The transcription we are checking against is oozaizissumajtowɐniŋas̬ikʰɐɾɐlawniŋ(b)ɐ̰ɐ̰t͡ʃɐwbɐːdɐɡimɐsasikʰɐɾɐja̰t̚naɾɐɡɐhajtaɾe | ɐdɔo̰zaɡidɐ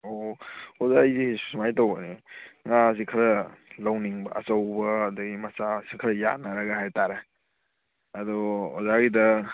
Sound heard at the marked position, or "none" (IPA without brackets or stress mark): b